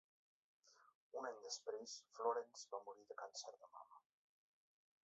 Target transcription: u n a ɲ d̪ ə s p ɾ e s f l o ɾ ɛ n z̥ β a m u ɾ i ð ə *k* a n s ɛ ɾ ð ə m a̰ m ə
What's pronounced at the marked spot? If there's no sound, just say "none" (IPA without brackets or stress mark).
k